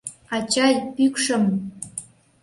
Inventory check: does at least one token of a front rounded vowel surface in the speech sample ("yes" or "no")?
yes